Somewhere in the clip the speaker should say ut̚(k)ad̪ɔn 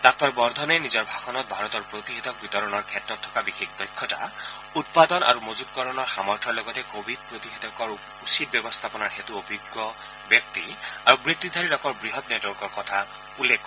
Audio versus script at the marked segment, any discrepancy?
yes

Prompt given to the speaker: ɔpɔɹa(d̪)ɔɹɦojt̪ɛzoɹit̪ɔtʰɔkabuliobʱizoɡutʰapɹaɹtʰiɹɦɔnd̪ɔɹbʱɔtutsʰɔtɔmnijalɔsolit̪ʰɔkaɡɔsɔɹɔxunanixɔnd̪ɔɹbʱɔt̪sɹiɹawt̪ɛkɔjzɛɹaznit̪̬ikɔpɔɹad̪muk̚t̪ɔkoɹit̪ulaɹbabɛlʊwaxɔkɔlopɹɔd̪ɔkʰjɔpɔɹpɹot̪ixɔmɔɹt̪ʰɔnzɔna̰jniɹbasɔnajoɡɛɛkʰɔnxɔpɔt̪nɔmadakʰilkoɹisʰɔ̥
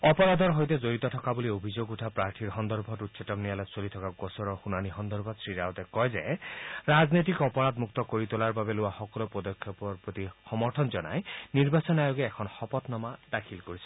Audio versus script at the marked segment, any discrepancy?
no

